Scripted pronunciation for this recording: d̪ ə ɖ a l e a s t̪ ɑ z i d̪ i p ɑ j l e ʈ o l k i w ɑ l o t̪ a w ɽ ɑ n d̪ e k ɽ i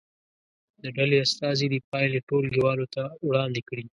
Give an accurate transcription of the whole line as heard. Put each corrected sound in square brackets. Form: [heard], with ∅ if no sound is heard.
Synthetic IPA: d̪ ə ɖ a l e a s t̪ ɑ z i d̪ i p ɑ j l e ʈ o l [ɡ] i w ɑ l o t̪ a w ɽ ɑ n d̪ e k ɽ i

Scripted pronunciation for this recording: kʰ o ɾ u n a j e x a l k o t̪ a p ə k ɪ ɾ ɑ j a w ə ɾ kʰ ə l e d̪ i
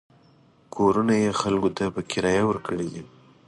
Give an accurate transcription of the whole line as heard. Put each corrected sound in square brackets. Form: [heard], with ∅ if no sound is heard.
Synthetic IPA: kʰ o ɾ u n a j e x a l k o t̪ a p ə k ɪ ɾ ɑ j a w ə ɾ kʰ ə [ɽ] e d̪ i

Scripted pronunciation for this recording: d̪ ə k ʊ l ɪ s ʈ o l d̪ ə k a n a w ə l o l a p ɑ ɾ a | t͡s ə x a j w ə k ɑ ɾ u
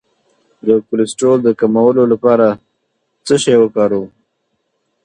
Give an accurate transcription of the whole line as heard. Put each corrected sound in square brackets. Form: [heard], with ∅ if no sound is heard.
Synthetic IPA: d̪ ə k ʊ l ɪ s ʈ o l d̪ ə k a [m] a w ə l o l a p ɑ ɾ a | t͡s ə [ʃ] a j w ə k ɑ ɾ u

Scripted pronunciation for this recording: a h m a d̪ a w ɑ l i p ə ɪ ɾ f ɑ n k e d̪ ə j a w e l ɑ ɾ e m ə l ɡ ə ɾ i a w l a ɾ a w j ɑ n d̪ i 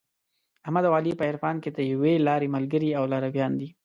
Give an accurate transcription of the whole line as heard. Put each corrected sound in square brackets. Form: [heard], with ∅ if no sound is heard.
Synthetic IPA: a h m a d̪ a w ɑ l i p ə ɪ ɾ f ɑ n k e d̪ ə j a w e l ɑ ɾ e m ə l ɡ ə ɾ i a w l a ɾ a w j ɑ n d̪ i

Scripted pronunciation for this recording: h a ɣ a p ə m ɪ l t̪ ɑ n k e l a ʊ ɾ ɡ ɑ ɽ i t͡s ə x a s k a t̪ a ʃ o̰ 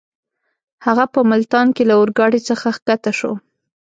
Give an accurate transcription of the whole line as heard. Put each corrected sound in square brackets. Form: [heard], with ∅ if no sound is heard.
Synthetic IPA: h a ɣ a p ə m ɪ l t̪ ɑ n k e l a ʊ ɾ ɡ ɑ ɽ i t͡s ə x a [x] k a t̪ a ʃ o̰

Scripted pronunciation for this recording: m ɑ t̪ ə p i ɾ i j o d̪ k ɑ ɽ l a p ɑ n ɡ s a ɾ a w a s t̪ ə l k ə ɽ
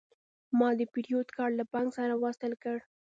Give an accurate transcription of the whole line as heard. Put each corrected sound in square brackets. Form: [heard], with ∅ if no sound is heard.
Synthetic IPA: m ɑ [d̪] ə p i ɾ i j o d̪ k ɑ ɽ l a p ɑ [ŋ] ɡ s a ɾ a w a s t̪ ə l k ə ɽ

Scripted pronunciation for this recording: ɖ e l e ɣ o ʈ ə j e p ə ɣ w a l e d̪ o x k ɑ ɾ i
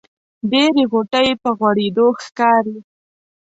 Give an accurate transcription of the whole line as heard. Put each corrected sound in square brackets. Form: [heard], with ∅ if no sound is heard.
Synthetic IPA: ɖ e [ɾ] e ɣ o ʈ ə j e p ə ɣ w a [ɽ] e d̪ o x k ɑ ɾ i

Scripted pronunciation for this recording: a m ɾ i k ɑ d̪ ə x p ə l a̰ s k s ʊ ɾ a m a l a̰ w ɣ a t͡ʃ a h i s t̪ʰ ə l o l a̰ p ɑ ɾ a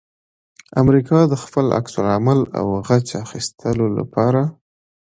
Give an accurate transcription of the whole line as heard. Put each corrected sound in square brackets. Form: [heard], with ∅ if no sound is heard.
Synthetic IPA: a m ɾ i k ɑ d̪ ə x p ə l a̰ [∅] k s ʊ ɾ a m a l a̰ w ɣ a t͡ʃ a [x] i s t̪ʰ ə l o l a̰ p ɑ ɾ a

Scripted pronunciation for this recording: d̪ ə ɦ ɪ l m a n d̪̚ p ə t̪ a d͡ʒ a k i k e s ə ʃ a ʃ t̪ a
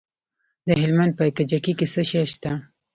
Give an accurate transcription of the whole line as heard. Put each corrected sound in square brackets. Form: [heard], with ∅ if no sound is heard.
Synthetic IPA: d̪ ə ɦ ɪ l m a n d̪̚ p ə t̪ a d͡ʒ a k i k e s ə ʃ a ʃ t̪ a

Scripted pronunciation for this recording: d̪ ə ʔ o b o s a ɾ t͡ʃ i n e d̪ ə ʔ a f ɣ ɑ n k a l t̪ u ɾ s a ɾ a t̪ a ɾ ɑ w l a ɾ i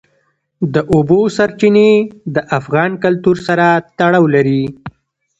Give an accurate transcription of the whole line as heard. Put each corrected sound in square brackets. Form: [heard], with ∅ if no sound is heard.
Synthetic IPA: d̪ ə ʔ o b o s a ɾ t͡ʃ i n e d̪ ə ʔ a f ɣ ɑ n k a l t̪ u ɾ s a ɾ a t̪ a [ɽ] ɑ w l a ɾ i

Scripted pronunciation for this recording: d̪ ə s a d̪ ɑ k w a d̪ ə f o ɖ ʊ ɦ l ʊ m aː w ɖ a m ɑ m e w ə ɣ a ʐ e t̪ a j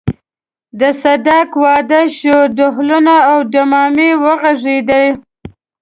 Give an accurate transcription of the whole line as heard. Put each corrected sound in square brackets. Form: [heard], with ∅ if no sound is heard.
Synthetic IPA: d̪ ə s a d̪ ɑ k w [ɑ] d̪ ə [ʃ] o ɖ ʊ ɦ l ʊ [n] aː w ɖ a m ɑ m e w ə ɣ a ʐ e [d̪] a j

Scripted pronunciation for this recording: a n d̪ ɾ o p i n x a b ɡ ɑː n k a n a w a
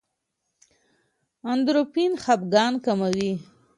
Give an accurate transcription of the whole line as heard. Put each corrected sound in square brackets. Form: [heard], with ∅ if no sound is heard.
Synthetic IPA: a n d̪ ɾ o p i n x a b ɡ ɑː n k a [m] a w [i]

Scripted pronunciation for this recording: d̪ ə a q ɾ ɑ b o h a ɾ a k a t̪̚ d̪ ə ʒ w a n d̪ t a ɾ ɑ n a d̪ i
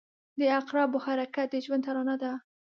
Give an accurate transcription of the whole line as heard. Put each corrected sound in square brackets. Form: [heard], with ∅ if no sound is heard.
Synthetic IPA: d̪ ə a q ɾ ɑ b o h a ɾ a k a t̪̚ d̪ ə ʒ w a n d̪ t a ɾ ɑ n a d̪ [a]

